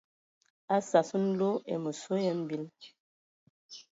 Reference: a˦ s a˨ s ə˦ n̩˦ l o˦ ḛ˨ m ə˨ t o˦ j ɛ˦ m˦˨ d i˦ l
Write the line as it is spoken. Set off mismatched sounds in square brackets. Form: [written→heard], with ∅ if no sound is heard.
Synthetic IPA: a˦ s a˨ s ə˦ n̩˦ l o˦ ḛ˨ m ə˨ [t→s] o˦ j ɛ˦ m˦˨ [d→b] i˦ l